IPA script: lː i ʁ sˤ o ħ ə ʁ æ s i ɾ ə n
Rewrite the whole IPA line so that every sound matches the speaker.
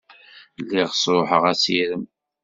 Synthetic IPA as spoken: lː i ʁ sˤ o ħ ə ʁ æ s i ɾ ə m